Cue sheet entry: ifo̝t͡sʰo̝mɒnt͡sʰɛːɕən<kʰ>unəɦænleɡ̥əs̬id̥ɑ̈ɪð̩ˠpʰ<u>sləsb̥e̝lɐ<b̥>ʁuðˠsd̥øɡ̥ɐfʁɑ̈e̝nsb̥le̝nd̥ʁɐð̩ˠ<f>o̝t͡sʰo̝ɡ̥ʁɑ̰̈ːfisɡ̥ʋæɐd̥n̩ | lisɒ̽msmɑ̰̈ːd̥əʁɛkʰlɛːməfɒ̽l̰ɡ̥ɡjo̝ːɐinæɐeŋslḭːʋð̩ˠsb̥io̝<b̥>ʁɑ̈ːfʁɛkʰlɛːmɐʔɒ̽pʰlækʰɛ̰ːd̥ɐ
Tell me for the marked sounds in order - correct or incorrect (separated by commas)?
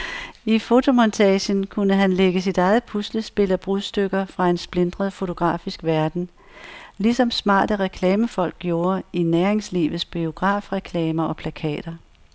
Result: correct, correct, correct, correct, incorrect